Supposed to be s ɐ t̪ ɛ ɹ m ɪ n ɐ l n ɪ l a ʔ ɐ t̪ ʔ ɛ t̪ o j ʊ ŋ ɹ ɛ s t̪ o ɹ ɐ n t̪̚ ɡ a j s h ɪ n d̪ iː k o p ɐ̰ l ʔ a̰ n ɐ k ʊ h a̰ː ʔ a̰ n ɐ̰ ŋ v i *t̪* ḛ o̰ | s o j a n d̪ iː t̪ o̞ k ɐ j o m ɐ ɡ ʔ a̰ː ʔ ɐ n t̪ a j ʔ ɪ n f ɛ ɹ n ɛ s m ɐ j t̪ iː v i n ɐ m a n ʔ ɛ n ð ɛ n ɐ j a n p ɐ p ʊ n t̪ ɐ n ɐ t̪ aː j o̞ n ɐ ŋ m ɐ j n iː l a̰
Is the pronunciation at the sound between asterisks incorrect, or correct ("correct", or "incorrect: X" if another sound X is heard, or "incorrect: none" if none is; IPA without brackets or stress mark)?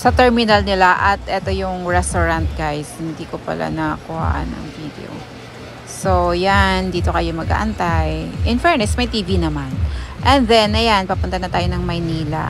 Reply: incorrect: d̪